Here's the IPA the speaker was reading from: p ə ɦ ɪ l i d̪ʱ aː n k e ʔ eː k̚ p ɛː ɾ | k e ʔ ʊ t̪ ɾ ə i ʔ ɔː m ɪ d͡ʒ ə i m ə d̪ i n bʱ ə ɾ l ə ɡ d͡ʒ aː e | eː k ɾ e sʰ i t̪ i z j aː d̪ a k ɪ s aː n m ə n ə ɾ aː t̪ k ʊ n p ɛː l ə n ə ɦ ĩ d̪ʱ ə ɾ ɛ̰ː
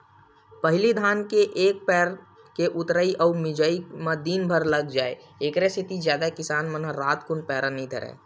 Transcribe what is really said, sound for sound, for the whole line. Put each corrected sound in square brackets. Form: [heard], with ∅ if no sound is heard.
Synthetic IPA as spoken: p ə ɦ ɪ l i d̪ʱ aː n k e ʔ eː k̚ p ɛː ɾ | k e ʔ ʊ t̪ ɾ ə i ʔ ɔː m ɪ d͡ʒ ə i m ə d̪ i n bʱ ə ɾ l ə ɡ d͡ʒ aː e | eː k ɾ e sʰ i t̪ i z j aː d̪ a k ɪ s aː n m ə n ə ɾ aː t̪ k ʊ n p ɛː [ɾ] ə n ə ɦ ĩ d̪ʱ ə ɾ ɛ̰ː